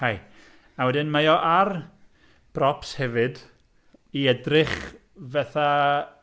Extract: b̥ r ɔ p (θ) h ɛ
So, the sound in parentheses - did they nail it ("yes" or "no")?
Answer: no